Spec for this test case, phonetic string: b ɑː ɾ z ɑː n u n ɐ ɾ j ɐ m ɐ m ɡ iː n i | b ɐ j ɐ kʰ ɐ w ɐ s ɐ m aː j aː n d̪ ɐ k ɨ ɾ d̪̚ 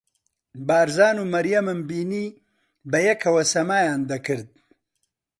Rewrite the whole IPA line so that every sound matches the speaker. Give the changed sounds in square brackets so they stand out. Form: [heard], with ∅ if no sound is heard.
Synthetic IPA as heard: b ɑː ɾ z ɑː n u [m] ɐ ɾ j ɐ m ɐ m [b] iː n i | b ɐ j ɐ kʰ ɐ w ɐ s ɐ m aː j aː n d̪ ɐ k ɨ ɾ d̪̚